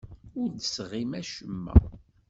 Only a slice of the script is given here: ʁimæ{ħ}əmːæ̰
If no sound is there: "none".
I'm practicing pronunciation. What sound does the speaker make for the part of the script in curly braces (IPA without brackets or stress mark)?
ʃ